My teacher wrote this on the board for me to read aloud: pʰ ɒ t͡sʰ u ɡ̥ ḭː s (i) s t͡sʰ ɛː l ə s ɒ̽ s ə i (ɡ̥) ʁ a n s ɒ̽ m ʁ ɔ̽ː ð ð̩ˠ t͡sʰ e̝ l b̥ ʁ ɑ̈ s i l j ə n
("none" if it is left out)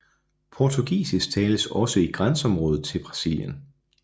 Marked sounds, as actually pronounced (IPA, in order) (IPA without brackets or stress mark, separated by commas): i, ɡ̥